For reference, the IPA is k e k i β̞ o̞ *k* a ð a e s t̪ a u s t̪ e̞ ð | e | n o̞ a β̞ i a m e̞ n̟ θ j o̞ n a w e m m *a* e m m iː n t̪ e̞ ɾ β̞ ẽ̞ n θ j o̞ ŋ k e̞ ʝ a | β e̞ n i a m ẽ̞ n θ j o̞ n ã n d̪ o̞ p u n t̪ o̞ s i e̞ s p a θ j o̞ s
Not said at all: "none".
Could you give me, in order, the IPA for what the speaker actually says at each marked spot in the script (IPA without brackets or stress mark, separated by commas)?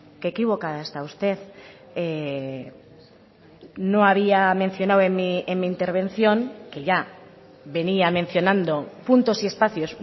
k, i